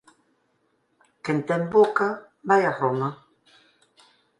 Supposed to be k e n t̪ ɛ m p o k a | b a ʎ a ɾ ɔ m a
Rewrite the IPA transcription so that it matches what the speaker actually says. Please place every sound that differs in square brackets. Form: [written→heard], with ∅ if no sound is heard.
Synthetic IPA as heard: k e n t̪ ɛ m [p→b] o k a | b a [ʎ→j] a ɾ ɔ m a